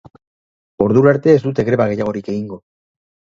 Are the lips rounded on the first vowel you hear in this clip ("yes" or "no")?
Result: yes